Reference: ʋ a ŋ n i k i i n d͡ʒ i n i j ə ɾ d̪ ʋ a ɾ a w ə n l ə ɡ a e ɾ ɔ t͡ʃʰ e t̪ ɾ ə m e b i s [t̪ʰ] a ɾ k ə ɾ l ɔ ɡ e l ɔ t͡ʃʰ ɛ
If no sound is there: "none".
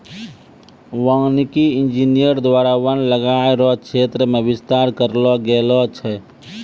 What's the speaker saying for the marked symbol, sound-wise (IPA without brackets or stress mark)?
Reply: t̪